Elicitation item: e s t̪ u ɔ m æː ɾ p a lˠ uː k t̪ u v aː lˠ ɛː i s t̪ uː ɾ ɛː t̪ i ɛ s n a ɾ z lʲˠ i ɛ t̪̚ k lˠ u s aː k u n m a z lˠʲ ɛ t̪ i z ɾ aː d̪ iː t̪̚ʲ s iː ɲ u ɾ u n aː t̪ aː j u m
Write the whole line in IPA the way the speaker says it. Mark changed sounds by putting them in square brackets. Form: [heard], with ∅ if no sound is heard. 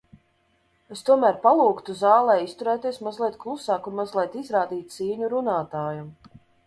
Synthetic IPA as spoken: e s t̪ u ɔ m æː ɾ p a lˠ uː k t̪ u [z] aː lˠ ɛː i s t̪ [u] ɾ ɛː t̪ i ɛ s [m] a [∅] z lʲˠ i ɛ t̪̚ k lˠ u s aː k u n m a z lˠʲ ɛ t̪ i z ɾ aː d̪ iː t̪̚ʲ s iː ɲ u ɾ u n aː t̪ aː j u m